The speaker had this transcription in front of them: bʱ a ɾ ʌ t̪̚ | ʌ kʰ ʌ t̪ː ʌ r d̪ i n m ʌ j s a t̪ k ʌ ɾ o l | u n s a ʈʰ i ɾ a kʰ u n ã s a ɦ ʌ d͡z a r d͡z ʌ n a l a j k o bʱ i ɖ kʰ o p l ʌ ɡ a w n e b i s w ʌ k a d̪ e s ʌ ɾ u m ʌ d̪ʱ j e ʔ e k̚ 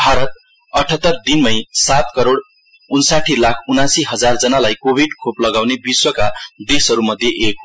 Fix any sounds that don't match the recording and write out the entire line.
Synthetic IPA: bʱ a ɾ ʌ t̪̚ | ʌ ʈʰ ʌ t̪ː ʌ r d̪ i n m ʌ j s a t̪ k ʌ ɾ o ɽ | u n s a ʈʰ i l a kʰ u n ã s i ɦ ʌ d͡z a r d͡z ʌ n a l a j k o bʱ i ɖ kʰ o p l ʌ ɡ a w n e b i s w ʌ k a d̪ e s ʌ ɾ u m ʌ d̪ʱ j e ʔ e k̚